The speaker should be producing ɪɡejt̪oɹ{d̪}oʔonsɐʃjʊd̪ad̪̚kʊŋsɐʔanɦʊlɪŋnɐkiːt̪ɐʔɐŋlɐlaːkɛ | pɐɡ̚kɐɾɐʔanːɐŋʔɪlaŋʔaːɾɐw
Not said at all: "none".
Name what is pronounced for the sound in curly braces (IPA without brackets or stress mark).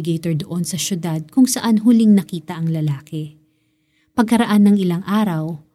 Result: d̪